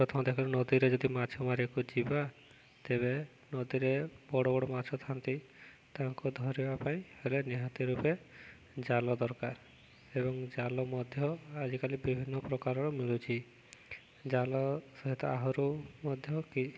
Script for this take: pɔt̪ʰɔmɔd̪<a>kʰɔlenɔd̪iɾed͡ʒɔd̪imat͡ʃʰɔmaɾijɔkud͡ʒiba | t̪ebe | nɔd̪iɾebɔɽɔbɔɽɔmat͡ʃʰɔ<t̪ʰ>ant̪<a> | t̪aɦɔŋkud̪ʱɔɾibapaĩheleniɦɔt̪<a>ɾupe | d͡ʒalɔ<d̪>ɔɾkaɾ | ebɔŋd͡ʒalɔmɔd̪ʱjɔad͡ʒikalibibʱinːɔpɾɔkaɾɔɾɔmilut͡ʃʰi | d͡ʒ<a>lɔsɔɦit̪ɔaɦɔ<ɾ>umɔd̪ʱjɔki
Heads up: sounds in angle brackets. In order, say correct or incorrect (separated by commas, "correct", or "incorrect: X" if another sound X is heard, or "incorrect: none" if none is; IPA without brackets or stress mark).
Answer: incorrect: e, correct, incorrect: i, incorrect: i, correct, correct, correct